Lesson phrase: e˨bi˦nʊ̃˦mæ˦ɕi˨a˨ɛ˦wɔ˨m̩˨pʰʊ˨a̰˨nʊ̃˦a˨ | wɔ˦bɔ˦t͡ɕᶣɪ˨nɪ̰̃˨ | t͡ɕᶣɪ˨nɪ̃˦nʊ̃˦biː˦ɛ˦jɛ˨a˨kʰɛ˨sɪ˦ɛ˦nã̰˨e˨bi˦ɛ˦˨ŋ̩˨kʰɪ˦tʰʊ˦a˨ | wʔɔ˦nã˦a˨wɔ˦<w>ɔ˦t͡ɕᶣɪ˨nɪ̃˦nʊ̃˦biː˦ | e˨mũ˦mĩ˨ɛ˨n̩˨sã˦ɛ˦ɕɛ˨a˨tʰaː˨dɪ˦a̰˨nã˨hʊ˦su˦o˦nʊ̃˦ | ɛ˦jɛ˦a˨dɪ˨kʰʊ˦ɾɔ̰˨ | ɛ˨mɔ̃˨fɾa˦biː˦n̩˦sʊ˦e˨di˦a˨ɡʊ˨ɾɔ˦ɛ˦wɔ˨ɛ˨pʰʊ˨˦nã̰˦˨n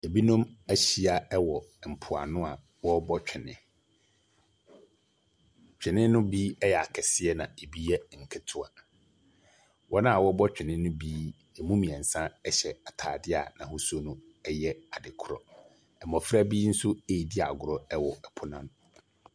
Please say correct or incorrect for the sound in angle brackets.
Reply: incorrect